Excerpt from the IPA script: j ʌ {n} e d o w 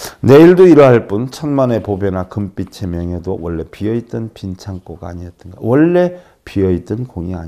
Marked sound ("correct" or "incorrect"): incorrect